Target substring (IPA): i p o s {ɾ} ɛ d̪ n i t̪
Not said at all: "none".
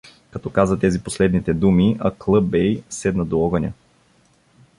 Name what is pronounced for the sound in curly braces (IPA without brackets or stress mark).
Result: l